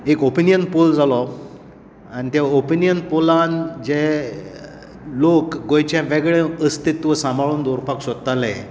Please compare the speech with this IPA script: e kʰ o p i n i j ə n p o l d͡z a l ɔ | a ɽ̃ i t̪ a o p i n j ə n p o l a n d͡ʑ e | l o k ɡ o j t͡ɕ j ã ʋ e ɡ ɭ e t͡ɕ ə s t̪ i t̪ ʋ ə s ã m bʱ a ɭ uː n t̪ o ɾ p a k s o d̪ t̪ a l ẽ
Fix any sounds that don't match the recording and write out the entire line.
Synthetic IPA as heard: e k o p i n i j ə n p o l d͡z a l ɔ | a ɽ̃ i t̪ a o p i n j ə n p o l a n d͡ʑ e | l o k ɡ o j t͡ɕ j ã ʋ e ɡ ɭ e ə s t̪ i t̪ ʋ ə s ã m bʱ a ɭ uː n d̪ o ɾ p a k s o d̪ t̪ a l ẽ